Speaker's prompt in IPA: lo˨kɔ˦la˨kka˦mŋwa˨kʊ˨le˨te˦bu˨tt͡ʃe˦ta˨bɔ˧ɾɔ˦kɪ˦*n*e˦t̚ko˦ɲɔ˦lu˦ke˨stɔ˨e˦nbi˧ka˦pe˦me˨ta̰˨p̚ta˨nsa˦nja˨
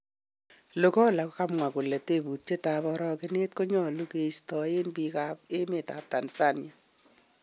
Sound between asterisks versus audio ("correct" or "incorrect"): correct